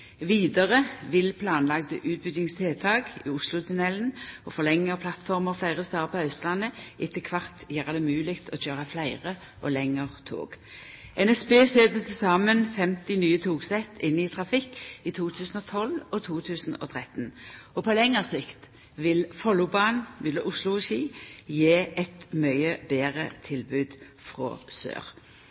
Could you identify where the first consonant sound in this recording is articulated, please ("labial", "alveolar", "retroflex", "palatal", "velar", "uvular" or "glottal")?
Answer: labial